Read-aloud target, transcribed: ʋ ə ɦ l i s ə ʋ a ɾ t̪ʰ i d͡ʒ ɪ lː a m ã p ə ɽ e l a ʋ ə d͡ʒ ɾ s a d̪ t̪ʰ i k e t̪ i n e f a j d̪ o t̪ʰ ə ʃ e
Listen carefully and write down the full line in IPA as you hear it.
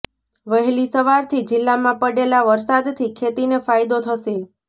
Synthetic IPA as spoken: ʋ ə ɦ l i s ə ʋ a ɾ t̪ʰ i d͡ʒ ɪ lː a m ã p ə ɽ e l a ʋ ə ɾ s a d̪ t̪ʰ i kʰ e t̪ i n e f a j d̪ o t̪ʰ ə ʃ e